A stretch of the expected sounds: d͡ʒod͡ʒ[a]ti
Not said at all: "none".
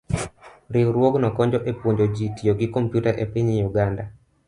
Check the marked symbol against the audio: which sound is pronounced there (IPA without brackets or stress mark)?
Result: i